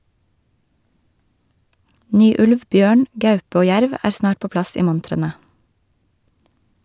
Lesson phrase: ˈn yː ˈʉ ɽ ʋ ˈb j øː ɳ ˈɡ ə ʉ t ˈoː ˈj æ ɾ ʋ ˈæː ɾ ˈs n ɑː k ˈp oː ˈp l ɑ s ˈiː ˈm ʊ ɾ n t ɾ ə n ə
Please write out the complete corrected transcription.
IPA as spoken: ˈn yː ˈʉ l ʋ ˈb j øː ɳ ˈɡ ɑ ʉ p ˈoː ˈj æ ɾ ʋ ˈæː ɾ ˈs n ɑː ʈ ˈp oː ˈp l ɑ s ˈiː ˈm ʊ n t ɾ ə n ə